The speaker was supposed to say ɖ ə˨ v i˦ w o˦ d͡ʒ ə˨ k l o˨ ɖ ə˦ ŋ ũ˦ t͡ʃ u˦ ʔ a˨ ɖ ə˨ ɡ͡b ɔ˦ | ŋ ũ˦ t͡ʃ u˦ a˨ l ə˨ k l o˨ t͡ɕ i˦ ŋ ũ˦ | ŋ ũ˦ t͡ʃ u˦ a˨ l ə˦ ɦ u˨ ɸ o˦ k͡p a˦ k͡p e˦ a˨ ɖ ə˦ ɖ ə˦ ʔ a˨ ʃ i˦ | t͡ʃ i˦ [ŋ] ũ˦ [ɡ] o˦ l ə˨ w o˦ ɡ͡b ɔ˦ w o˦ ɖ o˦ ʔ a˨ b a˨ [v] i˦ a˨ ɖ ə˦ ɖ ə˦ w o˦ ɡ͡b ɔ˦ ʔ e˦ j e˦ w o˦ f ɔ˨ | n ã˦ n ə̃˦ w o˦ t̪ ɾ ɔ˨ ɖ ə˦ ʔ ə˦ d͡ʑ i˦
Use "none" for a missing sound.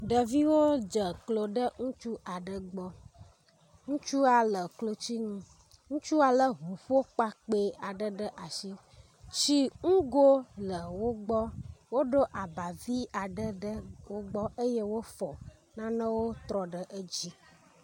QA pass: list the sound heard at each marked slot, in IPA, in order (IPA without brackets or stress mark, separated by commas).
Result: ŋ, ɡ, v